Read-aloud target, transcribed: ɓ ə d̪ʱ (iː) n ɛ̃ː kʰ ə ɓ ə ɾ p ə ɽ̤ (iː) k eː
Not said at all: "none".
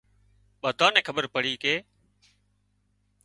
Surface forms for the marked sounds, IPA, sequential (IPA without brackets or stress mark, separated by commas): aː, iː